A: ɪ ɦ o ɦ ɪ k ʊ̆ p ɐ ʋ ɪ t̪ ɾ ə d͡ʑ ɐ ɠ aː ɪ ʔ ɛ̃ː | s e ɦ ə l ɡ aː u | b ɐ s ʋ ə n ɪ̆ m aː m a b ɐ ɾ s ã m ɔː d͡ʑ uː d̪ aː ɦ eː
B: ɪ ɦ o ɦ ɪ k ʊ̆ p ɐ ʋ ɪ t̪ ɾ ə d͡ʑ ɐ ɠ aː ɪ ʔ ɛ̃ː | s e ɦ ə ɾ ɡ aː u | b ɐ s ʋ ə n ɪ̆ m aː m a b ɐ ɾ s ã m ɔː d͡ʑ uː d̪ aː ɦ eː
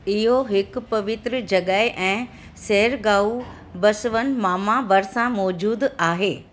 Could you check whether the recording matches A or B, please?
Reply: B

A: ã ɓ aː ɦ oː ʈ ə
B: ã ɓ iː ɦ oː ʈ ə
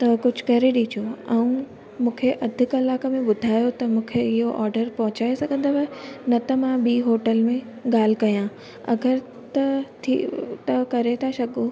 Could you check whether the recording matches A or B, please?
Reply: B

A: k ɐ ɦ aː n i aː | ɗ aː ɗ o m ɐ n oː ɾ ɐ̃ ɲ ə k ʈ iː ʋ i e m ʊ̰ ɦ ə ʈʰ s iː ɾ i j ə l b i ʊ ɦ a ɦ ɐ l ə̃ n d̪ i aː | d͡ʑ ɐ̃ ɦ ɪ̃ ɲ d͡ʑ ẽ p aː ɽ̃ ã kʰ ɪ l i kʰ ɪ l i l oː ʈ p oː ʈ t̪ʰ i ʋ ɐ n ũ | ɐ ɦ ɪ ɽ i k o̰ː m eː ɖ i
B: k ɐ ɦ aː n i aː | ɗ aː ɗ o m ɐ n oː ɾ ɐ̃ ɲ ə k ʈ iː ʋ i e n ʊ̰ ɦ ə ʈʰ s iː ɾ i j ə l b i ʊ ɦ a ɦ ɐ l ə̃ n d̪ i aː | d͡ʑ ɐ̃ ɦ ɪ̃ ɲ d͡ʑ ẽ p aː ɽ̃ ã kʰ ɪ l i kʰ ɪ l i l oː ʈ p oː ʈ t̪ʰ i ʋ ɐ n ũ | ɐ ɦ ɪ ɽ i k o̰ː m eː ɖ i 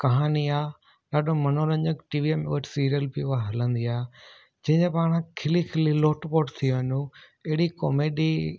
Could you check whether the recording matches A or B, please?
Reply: A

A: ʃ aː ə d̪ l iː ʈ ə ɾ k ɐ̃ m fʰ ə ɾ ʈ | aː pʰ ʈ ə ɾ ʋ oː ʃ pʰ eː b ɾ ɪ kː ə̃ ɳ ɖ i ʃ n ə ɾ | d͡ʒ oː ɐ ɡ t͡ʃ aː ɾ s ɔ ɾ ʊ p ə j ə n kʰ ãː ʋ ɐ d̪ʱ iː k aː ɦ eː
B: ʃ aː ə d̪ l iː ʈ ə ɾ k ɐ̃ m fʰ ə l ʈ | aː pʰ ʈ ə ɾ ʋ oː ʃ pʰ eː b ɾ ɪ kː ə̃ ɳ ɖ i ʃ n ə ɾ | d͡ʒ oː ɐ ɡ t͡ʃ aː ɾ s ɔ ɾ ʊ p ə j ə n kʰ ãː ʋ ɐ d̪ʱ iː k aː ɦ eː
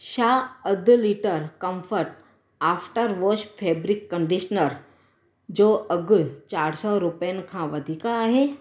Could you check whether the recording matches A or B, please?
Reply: A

